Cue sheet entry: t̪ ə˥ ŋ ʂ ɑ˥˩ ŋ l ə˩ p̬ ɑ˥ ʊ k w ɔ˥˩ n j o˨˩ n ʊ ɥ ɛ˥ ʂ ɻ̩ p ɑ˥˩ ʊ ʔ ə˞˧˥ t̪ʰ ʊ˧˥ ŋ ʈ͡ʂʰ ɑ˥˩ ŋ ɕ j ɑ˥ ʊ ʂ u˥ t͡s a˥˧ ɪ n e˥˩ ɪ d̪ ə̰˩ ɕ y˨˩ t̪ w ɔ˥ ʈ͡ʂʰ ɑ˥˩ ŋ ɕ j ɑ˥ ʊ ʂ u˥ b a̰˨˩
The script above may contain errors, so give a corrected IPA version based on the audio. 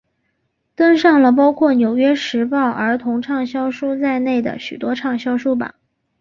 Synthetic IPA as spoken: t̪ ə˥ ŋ ʂ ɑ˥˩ ŋ l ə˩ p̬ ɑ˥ ʊ kʰ w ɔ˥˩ n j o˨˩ ʊ ɥ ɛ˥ ʂ ɻ̩ p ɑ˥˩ ʊ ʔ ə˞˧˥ t̪ʰ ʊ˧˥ ŋ ʈ͡ʂʰ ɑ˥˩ ŋ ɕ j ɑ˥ ʊ ʂ u˥ t͡s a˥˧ ɪ n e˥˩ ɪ d̪ ə̰˩ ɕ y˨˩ t̪ w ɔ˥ ʈ͡ʂʰ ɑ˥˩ ŋ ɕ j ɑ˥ ʊ ʂ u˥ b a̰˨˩